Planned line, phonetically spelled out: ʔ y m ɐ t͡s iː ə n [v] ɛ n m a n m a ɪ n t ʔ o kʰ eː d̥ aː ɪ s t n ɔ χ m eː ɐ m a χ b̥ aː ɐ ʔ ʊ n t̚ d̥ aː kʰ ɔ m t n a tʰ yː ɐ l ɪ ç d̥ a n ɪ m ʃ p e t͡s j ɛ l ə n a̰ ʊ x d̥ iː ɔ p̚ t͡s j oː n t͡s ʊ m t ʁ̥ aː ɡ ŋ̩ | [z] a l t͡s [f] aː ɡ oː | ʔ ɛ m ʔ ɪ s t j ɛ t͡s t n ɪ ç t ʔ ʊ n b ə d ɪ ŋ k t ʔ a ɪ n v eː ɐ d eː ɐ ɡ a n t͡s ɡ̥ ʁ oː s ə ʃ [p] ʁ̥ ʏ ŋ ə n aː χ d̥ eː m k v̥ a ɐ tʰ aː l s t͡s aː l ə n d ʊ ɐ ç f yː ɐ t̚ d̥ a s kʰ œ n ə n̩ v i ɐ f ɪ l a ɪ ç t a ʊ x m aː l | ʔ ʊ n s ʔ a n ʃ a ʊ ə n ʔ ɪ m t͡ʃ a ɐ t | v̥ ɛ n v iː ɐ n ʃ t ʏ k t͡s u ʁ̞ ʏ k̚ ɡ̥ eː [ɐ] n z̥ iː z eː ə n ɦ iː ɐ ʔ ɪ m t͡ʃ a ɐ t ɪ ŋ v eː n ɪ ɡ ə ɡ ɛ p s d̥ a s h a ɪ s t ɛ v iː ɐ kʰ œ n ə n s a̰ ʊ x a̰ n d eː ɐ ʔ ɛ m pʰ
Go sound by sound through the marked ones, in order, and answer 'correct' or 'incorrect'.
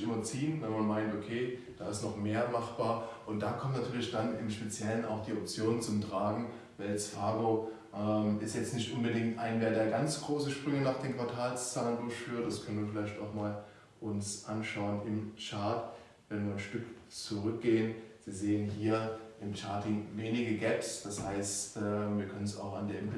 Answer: correct, incorrect, correct, correct, incorrect

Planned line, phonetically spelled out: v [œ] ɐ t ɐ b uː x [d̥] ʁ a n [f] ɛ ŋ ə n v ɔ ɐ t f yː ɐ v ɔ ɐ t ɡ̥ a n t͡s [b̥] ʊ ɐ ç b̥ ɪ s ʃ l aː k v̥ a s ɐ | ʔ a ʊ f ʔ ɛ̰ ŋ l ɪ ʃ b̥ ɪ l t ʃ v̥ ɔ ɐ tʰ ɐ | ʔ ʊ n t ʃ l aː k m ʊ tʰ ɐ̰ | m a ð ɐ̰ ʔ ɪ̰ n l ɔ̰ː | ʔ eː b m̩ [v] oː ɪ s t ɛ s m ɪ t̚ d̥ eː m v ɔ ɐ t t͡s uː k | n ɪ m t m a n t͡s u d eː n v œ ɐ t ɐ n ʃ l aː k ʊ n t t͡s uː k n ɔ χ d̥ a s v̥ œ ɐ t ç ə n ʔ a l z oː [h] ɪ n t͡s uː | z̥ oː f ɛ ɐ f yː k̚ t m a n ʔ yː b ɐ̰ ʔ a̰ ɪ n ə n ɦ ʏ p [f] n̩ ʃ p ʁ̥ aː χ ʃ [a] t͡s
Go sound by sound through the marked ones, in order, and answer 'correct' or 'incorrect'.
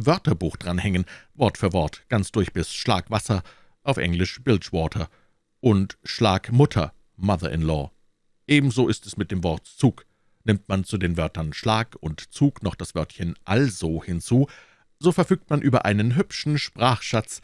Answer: correct, correct, incorrect, incorrect, incorrect, correct, incorrect, correct

